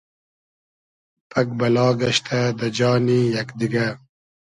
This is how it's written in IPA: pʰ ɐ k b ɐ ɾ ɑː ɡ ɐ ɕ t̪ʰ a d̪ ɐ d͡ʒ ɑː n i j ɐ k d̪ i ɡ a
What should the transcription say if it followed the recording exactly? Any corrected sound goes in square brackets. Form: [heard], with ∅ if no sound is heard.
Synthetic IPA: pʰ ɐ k b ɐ [l] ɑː ɡ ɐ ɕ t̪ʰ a d̪ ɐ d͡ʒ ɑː n i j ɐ k d̪ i ɡ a